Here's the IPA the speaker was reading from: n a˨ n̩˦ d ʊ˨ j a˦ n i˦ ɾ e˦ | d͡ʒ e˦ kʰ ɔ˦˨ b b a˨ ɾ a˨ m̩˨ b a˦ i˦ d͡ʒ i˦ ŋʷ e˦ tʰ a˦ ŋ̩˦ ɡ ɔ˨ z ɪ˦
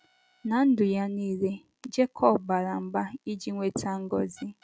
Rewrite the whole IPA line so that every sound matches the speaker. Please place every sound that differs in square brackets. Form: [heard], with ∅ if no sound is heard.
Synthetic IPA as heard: n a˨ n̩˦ d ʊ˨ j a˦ n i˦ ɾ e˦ | d͡ʒ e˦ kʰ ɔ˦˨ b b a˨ ɾ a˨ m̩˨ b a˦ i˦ d͡ʒ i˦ ŋʷ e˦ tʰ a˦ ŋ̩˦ ɡ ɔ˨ z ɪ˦

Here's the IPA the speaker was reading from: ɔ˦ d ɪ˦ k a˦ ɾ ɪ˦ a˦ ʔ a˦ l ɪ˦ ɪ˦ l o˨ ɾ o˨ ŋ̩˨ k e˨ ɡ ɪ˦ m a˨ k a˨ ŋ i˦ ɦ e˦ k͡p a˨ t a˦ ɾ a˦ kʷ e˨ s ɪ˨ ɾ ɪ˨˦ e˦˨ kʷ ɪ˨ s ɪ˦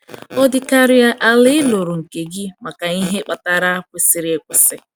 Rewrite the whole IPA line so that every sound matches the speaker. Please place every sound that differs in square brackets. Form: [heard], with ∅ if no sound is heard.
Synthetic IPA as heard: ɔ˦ d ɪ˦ k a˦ ɾ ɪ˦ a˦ ʔ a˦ l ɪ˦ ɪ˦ l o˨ ɾ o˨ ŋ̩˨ k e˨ ɡ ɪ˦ m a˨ k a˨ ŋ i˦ ɦ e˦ k͡p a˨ t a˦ ɾ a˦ kʷ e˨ s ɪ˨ ɾ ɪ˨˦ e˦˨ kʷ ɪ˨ s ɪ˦

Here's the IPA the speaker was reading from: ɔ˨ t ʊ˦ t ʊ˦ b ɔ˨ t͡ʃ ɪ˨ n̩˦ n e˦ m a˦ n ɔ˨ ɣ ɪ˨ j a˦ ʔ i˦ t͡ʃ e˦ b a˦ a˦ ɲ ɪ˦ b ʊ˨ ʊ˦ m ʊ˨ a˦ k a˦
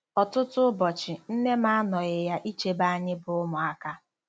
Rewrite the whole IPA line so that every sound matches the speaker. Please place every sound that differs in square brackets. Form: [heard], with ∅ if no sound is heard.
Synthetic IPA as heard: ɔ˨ t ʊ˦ t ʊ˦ b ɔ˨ t͡ʃ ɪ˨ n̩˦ n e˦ m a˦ n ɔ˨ ɣ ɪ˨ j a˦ ʔ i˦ t͡ʃ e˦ b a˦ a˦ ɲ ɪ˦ b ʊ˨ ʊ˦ m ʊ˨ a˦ k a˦

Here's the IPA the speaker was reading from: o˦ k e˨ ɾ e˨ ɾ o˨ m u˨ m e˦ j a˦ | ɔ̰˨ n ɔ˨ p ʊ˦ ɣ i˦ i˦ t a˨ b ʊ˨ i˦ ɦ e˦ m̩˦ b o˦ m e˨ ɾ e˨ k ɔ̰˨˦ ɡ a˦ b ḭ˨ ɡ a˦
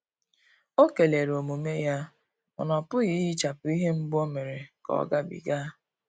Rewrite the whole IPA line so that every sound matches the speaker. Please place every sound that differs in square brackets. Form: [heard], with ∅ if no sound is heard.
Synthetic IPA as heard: o˦ k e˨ [l] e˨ ɾ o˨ m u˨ m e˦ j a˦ | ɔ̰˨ n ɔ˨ p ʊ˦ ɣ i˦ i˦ [t͡ʃ] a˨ [p] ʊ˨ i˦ ɦ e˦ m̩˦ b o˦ m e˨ ɾ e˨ k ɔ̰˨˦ ɡ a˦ b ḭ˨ ɡ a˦

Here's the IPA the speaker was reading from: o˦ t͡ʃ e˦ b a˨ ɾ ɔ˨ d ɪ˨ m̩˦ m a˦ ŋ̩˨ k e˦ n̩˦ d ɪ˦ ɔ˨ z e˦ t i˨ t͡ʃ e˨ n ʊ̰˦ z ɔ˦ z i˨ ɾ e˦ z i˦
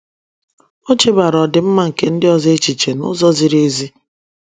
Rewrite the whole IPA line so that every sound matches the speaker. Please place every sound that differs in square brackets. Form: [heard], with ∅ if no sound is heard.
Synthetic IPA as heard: o˦ t͡ʃ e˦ b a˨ ɾ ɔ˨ d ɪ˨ m̩˦ m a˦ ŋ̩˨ k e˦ n̩˦ d ɪ˦ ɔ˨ z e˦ [t͡ʃ] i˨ t͡ʃ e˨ n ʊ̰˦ z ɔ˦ z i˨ ɾ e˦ z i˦

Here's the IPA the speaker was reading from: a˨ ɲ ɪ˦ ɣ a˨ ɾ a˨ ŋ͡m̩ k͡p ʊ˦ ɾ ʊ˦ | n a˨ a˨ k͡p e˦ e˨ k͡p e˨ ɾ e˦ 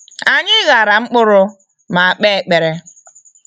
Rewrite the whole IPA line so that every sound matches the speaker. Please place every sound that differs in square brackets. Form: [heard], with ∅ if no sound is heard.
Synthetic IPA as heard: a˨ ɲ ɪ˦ ɣ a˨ ɾ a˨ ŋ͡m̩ k͡p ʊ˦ ɾ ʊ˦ | [m] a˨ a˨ k͡p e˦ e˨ k͡p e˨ ɾ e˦

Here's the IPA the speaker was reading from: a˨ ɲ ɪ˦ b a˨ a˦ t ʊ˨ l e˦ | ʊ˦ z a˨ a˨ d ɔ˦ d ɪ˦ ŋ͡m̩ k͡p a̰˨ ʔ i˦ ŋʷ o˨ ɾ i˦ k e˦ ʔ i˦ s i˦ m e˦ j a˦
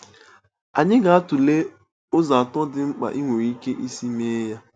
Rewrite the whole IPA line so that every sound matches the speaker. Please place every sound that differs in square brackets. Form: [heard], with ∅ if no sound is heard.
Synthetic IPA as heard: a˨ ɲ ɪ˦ [ɡ] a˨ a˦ t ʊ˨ l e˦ | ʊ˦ z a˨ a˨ [t] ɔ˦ d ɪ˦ ŋ͡m̩ k͡p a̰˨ ʔ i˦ ŋʷ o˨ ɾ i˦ k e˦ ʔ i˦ s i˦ m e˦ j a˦

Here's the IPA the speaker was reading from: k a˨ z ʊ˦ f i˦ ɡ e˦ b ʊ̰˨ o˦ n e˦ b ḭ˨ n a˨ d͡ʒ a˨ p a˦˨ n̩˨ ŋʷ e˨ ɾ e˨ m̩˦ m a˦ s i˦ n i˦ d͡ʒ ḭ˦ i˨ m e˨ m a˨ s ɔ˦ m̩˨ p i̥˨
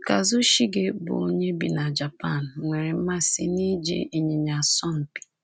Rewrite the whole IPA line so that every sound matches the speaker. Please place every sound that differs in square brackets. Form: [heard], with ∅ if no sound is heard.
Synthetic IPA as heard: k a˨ z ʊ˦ [ʃ] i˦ ɡ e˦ b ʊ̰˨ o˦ [ɲ] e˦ b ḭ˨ n a˨ d͡ʒ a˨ p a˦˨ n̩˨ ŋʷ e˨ ɾ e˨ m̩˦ m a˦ s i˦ n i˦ d͡ʒ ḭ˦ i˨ [ɲ] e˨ [ɲ] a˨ s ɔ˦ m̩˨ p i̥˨

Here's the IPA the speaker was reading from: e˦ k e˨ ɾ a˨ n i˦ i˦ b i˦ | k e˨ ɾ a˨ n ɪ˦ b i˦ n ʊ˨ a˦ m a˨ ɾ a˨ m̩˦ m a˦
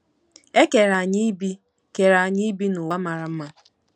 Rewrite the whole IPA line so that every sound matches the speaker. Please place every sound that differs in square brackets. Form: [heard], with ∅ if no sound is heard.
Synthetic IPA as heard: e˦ k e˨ ɾ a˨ [ɲ] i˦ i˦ b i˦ | k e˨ ɾ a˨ [ɲ] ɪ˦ b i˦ n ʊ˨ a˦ m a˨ ɾ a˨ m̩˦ m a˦

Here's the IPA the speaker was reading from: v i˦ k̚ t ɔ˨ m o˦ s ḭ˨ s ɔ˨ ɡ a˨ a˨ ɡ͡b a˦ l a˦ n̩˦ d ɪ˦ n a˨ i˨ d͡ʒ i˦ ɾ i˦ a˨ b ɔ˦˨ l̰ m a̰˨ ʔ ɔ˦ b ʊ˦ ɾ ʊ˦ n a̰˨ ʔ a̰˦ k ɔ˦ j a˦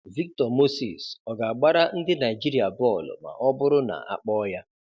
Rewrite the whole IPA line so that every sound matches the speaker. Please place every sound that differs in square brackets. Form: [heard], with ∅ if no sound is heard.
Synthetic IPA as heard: v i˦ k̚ t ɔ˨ m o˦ s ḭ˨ s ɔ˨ ɡ a˨ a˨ ɡ͡b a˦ [ɾ] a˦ n̩˦ d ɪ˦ n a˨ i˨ d͡ʒ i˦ ɾ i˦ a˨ b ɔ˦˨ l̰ m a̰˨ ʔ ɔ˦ b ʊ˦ ɾ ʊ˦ n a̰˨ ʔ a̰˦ [k͡p] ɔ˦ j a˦

